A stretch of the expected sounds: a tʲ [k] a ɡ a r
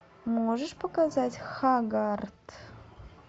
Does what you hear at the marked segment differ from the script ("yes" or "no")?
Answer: yes